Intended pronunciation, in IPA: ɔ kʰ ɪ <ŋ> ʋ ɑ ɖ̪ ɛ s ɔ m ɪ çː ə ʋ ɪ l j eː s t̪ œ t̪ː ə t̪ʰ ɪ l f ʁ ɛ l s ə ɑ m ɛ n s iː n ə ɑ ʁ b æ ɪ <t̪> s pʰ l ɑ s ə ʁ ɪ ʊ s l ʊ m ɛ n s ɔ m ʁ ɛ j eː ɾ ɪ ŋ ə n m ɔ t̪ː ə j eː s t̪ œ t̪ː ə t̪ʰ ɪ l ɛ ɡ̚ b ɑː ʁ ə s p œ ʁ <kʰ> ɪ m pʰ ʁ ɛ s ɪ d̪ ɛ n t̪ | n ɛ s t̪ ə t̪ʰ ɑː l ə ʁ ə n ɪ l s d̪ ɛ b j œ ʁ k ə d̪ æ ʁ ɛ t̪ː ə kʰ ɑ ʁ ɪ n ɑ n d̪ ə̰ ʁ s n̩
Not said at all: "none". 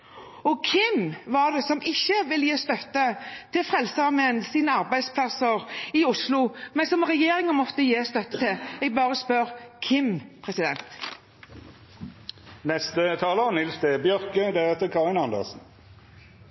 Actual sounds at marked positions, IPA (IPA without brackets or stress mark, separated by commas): m, d̪, kʰ